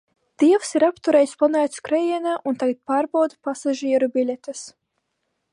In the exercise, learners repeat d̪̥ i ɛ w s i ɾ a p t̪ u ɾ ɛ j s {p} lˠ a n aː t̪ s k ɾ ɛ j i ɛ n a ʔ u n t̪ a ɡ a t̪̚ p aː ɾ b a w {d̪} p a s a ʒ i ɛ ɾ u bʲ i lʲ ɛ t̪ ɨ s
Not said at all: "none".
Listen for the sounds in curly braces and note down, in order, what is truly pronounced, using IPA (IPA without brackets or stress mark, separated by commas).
p, d̪